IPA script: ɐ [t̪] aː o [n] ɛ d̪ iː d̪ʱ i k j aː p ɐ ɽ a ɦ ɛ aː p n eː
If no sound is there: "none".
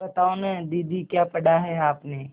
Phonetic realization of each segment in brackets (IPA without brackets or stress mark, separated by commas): t̪, n